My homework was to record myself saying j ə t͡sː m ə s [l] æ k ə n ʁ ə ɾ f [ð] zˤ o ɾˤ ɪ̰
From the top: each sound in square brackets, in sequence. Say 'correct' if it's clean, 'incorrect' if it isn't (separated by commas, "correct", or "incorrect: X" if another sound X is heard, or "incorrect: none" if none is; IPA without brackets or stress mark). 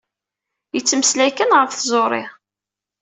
correct, incorrect: θ